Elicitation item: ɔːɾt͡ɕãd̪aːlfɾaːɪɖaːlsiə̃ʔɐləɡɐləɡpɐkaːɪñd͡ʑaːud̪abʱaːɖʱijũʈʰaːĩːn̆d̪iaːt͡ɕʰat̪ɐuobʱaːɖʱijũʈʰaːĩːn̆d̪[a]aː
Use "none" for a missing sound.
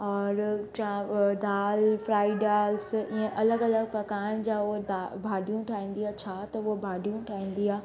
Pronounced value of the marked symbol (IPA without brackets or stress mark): i